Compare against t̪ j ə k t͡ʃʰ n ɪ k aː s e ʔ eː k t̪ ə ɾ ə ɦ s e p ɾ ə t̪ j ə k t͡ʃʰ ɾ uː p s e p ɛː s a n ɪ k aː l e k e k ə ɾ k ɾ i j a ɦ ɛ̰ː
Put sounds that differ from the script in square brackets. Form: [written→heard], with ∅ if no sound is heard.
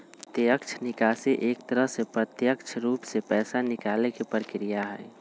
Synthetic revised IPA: t̪ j ə k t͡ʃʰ n ɪ k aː s e ʔ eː k t̪ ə ɾ ə ɦ s e p ɾ ə t̪ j ə k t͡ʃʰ ɾ uː p s e p ɛː s a n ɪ k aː l e k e [k→p] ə ɾ k ɾ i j a ɦ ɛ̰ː